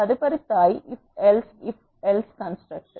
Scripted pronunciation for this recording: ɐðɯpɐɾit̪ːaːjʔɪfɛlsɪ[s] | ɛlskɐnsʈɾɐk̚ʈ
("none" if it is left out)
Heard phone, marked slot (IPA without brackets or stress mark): f